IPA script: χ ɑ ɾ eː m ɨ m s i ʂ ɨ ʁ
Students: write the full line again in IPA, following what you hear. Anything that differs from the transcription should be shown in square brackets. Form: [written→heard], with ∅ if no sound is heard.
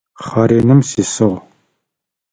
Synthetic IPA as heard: χ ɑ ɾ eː [m→n] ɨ m s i [ʂ→s] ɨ ʁ